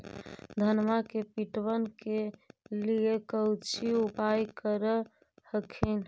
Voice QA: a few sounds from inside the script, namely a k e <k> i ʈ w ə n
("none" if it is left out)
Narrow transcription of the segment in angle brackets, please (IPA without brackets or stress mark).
p